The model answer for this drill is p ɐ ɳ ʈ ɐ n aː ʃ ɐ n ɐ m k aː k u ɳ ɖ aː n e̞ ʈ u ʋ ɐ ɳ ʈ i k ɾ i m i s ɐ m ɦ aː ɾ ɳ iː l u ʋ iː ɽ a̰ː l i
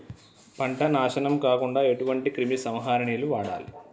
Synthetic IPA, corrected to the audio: p ɐ ɳ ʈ ɐ n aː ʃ ɐ n ɐ m k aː k u ɳ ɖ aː e̞ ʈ u ʋ ɐ ɳ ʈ i k ɾ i m i s ɐ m ɦ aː ɾ ɳ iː l u ʋ aː ɽ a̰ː l i

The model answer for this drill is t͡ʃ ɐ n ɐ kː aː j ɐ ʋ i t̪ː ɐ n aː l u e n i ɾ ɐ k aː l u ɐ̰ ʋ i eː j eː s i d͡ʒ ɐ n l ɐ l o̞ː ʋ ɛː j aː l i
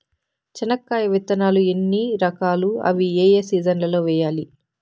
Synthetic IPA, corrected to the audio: t͡ʃ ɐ n ɐ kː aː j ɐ ʋ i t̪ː ɐ n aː l u e nː i ɾ ɐ k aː l u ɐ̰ ʋ i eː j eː s iː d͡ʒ ɐ n l ɐ l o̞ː ʋ ɛː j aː l i

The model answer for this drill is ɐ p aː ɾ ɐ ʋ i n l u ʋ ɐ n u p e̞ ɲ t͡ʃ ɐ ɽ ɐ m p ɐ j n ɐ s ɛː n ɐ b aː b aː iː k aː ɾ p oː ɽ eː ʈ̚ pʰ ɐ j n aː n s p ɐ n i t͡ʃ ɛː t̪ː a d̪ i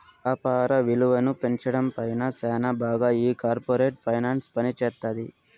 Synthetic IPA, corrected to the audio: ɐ p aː ɾ ɐ ʋ i l u ʋ ɐ n u p e̞ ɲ t͡ʃ ɐ ɽ ɐ m p ɐ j n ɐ s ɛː n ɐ b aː ɡ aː iː k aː ɾ p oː ɾ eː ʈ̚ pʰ ɐ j n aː n s p ɐ n i t͡ʃ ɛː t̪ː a d̪ i

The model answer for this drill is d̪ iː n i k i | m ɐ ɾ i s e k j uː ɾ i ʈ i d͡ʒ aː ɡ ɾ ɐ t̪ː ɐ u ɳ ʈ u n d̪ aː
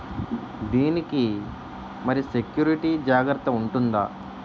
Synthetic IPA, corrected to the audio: d̪ iː n i k i | m ɐ ɾ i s e k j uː ɾ i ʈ i d͡ʒ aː ɡ ɾ ɐ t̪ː ɐ u ɳ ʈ u n d̪ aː

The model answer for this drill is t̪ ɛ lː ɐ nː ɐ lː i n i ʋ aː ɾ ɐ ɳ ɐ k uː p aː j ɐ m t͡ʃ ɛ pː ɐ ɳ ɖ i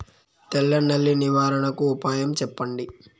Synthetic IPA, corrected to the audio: t̪ ɛ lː ɐ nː ɐ lː i n i ʋ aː ɾ ɐ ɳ ɐ k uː p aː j ɐ m t͡ʃ ɛ pː ɐ ɳ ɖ i

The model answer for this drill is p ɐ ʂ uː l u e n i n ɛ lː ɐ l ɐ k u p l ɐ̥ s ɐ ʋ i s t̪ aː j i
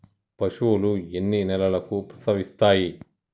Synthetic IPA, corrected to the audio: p ɐ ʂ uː l u e nː i n ɛ l ɐ l ɐ k u p ɾ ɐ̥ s ɐ ʋ i s t̪ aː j i

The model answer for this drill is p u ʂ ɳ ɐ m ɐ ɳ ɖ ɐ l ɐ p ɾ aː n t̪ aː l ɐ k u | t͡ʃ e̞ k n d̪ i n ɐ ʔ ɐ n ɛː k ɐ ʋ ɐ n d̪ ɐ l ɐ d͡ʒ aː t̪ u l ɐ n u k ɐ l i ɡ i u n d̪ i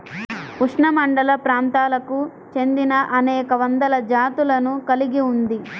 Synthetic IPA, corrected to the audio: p u ʂ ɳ ɐ m ɐ ɳ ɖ ɐ l ɐ p ɾ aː n t̪ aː l ɐ k u | t͡ʃ e̞ n d̪ i n ɐ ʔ ɐ n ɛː k ɐ ʋ ɐ n d̪ ɐ l ɐ d͡ʒ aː t̪ u l ɐ n u k ɐ l i ɡ i u n d̪ i

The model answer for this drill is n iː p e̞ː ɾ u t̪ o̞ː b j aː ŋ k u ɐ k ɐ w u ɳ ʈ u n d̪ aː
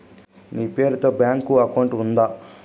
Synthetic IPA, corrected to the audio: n iː p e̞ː ɾ u t̪ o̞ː b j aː ŋ k u ɐ k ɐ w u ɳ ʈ u n d̪ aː

